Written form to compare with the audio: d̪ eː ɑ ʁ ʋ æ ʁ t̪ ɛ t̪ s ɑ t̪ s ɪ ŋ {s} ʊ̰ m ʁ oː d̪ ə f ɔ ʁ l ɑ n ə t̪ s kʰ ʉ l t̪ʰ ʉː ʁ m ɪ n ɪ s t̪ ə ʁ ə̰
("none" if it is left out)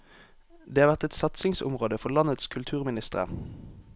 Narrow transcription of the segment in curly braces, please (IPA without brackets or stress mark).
s